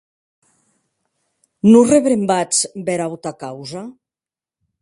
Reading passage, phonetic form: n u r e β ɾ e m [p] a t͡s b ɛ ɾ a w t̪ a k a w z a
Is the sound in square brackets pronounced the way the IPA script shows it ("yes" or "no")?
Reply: no